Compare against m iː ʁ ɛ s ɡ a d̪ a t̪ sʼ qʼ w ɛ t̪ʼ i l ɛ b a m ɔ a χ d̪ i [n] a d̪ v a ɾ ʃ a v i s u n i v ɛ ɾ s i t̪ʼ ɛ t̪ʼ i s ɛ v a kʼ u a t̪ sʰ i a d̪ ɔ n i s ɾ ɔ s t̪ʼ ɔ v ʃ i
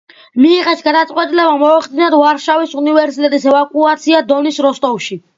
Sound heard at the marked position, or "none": n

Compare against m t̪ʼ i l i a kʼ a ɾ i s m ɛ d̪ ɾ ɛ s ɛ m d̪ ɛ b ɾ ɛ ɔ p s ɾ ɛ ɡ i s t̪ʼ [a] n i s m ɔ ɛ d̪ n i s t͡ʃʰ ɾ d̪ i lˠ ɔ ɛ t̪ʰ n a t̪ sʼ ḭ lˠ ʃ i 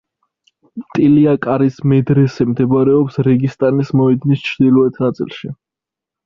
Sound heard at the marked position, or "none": a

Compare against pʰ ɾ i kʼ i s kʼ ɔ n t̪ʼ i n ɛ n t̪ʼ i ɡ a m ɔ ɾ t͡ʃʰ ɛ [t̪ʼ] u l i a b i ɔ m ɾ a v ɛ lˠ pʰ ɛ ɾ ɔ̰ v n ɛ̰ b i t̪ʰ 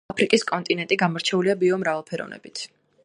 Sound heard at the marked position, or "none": none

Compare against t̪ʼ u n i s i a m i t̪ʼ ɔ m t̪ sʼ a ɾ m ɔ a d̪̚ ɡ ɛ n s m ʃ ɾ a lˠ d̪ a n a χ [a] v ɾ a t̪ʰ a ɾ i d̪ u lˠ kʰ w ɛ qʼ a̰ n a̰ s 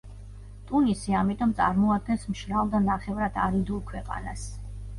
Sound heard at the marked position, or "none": ɛ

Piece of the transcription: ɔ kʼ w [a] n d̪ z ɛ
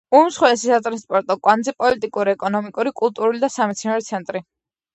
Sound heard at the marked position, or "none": a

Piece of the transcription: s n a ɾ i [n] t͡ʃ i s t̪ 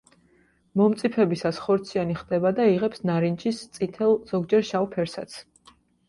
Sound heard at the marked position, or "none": n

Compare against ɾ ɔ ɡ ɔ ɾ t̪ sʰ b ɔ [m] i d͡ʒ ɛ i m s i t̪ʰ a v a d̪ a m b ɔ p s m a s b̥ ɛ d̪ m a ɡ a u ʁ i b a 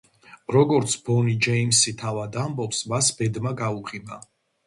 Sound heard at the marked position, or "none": n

